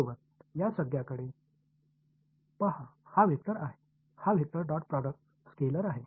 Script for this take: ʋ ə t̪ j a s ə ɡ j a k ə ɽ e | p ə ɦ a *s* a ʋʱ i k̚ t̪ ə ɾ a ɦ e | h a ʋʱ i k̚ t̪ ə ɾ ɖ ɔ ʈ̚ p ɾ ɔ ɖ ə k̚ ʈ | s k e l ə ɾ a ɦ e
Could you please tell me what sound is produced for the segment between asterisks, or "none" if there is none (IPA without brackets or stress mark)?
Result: h